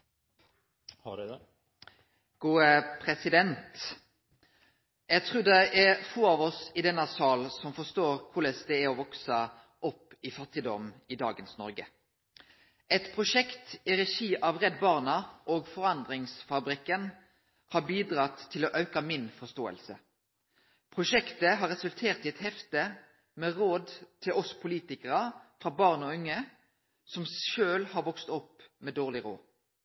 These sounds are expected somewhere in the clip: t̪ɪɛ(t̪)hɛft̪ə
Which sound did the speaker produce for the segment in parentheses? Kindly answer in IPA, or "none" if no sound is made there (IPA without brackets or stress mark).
t̪